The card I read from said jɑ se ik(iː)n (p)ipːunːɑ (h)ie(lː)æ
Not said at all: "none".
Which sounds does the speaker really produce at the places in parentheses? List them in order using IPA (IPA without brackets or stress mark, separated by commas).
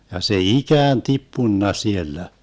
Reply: æː, t, s, lː